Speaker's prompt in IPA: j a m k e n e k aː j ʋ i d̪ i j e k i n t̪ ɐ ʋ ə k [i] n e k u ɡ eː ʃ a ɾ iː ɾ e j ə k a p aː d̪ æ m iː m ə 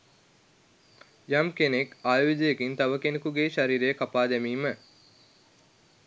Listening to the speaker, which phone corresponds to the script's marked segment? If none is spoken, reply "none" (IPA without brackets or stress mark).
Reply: e